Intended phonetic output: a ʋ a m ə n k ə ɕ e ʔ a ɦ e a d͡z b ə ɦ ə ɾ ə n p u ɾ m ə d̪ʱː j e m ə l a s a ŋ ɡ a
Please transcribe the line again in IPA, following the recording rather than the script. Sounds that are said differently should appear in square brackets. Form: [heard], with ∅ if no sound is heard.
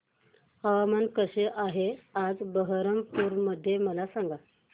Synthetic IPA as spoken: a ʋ a m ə n k ə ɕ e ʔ a ɦ e a d͡z b ə ɦ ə ɾ ə [m] p u ɾ m ə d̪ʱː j e m ə l a s a ŋ ɡ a